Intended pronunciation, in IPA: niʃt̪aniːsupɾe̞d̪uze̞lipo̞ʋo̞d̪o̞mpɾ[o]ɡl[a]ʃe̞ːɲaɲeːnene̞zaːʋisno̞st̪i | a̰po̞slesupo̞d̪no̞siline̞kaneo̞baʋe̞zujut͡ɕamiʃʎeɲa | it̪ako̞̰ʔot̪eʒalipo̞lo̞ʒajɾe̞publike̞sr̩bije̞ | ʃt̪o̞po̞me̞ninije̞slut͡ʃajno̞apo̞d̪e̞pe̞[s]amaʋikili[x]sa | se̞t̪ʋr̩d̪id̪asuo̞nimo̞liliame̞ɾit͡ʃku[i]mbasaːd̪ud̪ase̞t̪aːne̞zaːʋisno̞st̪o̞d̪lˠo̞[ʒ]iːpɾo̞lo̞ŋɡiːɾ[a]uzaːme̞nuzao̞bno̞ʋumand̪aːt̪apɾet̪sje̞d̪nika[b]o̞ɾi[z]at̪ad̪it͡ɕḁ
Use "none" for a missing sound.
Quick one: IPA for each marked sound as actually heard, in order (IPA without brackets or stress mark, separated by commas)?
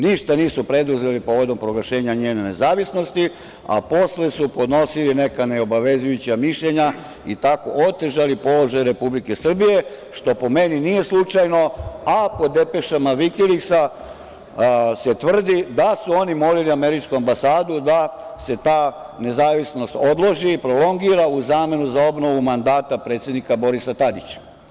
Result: o, a, ʃ, k, a, ʒ, a, b, s